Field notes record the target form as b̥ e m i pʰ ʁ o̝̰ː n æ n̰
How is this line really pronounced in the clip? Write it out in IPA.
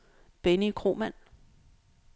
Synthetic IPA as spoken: b̥ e n i kʰ ʁ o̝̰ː m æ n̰